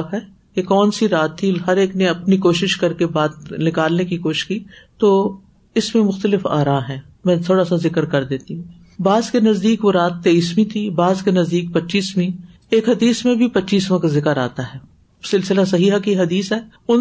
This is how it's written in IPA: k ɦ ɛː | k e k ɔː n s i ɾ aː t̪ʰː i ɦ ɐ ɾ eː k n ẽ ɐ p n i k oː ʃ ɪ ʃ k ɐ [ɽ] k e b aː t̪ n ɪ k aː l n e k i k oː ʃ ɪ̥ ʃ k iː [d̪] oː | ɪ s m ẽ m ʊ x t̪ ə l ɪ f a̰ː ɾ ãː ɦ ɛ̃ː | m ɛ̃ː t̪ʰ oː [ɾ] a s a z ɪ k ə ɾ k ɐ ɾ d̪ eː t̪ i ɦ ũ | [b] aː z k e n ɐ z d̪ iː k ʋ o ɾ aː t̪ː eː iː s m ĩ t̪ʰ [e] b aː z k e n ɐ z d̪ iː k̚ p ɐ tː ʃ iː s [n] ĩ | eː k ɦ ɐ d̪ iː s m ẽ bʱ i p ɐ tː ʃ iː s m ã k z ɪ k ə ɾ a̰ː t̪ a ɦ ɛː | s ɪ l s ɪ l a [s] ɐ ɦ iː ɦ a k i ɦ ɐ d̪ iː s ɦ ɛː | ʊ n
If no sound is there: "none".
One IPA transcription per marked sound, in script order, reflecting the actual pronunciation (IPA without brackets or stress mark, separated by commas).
ɾ, t̪, ɽ, b, i, m, s